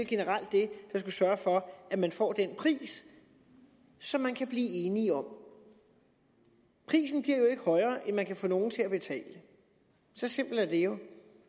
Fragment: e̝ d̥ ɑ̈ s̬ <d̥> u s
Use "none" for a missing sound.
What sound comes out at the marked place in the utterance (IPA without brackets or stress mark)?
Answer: ɡ̥